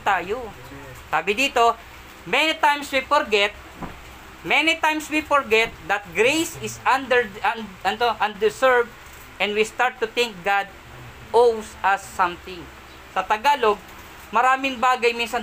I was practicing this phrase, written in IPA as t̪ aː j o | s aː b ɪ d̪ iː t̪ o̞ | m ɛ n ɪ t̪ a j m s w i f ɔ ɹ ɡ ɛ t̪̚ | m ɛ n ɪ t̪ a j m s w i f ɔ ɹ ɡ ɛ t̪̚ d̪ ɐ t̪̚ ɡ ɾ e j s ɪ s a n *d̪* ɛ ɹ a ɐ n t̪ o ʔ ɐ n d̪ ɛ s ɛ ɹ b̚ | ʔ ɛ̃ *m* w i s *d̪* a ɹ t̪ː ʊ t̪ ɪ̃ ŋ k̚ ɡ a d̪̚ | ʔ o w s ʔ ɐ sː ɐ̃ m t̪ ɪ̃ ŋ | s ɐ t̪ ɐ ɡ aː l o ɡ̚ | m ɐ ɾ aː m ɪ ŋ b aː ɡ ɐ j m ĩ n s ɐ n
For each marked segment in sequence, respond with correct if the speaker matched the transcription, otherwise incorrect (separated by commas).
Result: correct, incorrect, incorrect